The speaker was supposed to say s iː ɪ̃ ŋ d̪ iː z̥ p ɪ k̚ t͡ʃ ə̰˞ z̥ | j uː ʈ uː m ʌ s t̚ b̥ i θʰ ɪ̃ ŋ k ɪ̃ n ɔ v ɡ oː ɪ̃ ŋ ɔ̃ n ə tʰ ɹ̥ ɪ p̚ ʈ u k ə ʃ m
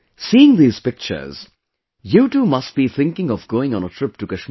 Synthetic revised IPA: s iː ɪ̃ ŋ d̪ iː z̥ p ɪ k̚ t͡ʃ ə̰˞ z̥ | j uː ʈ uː m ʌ s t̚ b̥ i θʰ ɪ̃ ŋ k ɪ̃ ŋ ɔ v ɡ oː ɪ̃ ŋ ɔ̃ n ə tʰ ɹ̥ ɪ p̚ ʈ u k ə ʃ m

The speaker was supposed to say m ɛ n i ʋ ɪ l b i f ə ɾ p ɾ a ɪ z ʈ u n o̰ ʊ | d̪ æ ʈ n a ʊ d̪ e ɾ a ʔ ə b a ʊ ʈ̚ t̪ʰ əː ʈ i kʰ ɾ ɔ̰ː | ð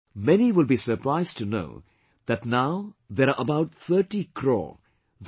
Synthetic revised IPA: m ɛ n i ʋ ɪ l b i s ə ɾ p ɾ a ɪ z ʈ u n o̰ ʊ | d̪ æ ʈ n a ʊ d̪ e ɾ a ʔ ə b a ʊ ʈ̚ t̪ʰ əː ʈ i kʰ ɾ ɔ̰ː | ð

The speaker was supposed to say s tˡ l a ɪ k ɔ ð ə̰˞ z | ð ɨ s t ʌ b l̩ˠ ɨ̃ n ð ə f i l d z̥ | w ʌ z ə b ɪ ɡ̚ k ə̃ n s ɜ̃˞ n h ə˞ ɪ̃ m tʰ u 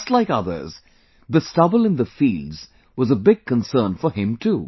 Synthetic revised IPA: s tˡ l a ɪ k ʌ ð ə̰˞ z | ð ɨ s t ʌ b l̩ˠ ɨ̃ n ð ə f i l d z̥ | w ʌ z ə b ɪ ɡ̚ k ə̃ n s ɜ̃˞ n f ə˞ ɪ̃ m tʰ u

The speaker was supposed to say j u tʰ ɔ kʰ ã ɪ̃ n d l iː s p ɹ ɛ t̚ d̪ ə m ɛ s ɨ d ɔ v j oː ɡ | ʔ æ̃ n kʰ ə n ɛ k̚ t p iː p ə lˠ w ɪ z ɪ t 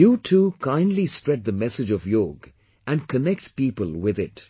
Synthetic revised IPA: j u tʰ u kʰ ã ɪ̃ n d l i s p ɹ ɛ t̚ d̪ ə m ɛ s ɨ d͡ʒ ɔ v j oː ɡ | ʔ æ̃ n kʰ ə n ɛ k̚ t p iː p ə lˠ w ɪ ð ɪ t

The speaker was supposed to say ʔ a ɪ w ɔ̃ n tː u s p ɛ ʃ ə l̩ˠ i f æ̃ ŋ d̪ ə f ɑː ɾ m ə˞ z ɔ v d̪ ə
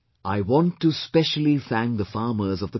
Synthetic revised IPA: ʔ a ɪ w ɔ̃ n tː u s p ɛ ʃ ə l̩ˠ i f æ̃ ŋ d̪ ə f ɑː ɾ m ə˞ z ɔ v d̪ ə

